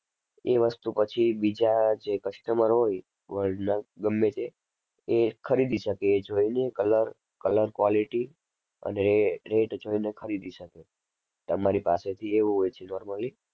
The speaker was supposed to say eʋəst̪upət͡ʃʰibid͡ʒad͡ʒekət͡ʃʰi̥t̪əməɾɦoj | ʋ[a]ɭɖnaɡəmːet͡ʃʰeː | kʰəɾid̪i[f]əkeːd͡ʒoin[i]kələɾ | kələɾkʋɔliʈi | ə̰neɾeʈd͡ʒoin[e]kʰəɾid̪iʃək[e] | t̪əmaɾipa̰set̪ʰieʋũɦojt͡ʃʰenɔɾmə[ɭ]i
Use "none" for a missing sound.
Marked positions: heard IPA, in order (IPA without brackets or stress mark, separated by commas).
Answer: ə, ʃ, e, e, e, l